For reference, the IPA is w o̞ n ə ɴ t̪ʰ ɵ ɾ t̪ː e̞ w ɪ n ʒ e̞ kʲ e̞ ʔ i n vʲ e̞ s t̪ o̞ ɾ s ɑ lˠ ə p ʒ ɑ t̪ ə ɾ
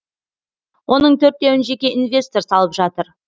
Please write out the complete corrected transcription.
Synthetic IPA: w o̞ n ə ɴ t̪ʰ ɵ ɾ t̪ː e̞ w ɪ n ʒ e̞ kʲ e̞ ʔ i n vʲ e̞ s t̪ o̞ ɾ s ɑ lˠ ə p ʒ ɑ t̪ ə ɾ